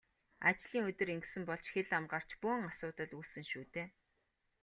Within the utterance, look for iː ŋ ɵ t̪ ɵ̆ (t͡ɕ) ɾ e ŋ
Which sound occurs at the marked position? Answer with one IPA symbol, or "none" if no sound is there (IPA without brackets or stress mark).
none